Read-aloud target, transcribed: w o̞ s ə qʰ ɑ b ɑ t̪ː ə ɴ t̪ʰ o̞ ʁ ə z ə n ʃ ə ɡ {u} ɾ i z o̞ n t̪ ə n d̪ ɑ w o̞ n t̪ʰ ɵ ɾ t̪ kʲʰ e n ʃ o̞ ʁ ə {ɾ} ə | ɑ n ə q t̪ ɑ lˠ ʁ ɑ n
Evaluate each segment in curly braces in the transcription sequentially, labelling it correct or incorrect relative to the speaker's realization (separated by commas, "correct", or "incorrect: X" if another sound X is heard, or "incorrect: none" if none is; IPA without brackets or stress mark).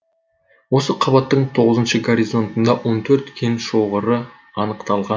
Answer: incorrect: o, correct